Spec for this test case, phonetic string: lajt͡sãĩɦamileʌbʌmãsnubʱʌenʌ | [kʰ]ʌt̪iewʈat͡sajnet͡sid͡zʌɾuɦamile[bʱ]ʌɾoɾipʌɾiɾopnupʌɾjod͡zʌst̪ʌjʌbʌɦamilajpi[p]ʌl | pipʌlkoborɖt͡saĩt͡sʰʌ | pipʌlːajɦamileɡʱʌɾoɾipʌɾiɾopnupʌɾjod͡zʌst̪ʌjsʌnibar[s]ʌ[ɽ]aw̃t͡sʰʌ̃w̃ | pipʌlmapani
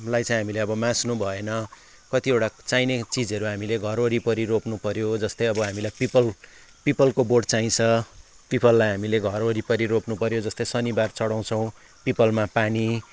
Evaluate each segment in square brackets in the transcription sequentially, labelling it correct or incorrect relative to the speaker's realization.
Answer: incorrect: k, incorrect: ɡʱ, correct, incorrect: t͡s, correct

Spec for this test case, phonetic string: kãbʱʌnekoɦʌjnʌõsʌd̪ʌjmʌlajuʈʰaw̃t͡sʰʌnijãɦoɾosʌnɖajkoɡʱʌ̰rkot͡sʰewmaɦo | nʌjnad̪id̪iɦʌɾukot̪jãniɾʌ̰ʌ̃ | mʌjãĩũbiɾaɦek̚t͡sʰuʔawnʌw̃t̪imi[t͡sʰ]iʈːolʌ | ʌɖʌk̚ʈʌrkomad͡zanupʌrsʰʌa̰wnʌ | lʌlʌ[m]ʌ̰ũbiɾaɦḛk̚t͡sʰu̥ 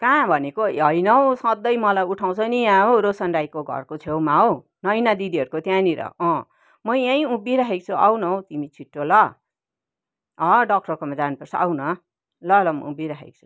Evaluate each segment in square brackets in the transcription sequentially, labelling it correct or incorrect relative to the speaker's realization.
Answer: correct, correct

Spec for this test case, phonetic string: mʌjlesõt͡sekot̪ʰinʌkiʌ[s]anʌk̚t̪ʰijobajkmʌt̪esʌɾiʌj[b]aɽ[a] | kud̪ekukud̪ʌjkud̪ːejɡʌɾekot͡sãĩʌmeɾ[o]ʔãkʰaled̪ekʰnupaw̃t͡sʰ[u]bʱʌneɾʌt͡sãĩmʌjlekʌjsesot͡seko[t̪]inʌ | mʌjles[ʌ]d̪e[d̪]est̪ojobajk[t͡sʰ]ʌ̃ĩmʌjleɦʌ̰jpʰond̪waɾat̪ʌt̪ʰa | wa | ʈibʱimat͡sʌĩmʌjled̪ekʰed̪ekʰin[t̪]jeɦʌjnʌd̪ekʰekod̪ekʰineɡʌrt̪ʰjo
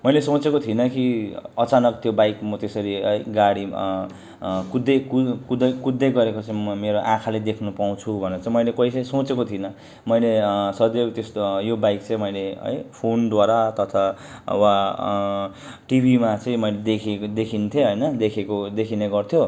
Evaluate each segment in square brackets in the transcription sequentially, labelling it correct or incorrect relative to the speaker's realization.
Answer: incorrect: t͡s, incorrect: ɡ, incorrect: i, correct, correct, incorrect: t̪ʰ, correct, incorrect: t̪, incorrect: t͡s, incorrect: t̪ʰ

